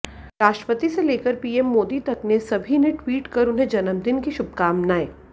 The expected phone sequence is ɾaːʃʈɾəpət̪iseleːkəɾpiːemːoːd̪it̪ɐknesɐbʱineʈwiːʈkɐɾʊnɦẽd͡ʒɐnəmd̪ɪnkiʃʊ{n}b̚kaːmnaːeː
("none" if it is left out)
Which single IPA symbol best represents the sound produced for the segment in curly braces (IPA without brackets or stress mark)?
none